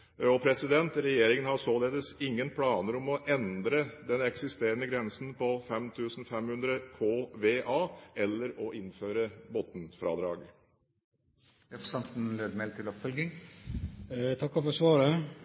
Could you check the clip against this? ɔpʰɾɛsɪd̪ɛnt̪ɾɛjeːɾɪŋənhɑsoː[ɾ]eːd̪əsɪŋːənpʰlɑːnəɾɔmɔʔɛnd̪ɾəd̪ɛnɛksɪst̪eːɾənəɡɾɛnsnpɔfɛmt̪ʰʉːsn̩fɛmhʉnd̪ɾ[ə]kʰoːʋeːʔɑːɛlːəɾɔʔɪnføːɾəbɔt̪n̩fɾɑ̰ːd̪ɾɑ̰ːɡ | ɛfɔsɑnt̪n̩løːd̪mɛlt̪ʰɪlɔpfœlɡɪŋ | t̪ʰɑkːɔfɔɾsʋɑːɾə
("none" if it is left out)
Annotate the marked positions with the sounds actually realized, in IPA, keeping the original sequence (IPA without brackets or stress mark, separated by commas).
l, ə